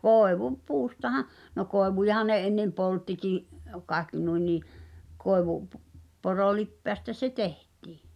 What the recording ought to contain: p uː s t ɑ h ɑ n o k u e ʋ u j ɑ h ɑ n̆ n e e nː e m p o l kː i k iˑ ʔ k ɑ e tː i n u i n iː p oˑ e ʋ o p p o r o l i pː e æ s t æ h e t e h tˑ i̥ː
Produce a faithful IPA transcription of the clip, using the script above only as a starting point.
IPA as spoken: p uː s t ɑ h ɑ n o k o e ʋ u j ɑ h ɑ n̆ n e e nː e m p o l tː i k iˑ ʔ k ɑ e kː i n u i n iː k oˑ e ʋ u p p o r o l i pː e æ s t æ s e t e h tˑ i̥ː

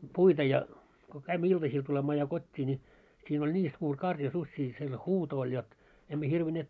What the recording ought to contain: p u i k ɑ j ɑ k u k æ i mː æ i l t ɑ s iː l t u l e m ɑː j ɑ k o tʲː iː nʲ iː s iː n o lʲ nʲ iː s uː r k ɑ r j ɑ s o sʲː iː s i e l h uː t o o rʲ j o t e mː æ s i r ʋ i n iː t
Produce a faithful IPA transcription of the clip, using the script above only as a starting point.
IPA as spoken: p u i t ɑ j ɑ k o k æ i mː æ i l t ɑ s iː l t u l e m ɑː j ɑ k o tʲː iː nʲ i s iː n o lʲ nʲ iː s uː r k ɑ r j ɑ s u sʲː iː s i e l h uː t o o lʲ j o t e mː æ h i r ʋ i n eː t

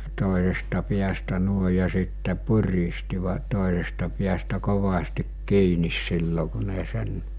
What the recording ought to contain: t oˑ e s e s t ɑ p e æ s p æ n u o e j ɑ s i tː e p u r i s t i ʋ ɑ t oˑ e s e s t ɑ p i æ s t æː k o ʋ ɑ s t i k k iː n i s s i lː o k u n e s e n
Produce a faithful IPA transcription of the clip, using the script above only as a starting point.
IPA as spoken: t oˑ e s e s t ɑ p i æ s t æ n u o e j ɑ s i tː e p u r i s t i ʋ ɑ t oˑ e s e s t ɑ p i æ s t æ k o ʋ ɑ s t i k k iː n i s s i lː o k u n e s e n

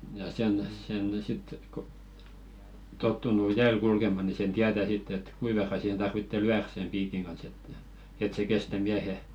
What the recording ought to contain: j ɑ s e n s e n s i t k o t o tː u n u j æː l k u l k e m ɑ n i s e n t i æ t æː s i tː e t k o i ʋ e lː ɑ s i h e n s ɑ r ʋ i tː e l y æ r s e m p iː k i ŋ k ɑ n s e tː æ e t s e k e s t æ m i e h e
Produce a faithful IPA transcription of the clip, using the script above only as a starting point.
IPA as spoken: j ɑ s e n s e n s i t k o t o tː u n u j æː l k u l k e m ɑ n i s e n t i æ t æ s i tː e t k u i ʋ e rː ɑ s i h e n t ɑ r ʋ i tː e l y æ r s e m p iː k i ŋ k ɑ n s e tː æ e t s e k e s t æ m i æ h e

